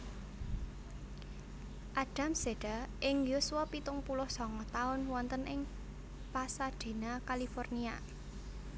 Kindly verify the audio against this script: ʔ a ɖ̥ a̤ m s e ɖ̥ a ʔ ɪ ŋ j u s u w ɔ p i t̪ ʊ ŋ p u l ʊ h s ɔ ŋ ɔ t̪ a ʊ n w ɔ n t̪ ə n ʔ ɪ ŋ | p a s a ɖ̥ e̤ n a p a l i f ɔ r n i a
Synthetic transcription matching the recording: ʔ a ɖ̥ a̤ m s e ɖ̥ a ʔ ɪ ŋ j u s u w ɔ p i t̪ ʊ ŋ p u l ʊ h s ɔ ŋ ɔ t̪ a ʊ n w ɔ n t̪ ə n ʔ ɪ ŋ | p a s a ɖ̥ e̤ n a k a l i f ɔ r n i a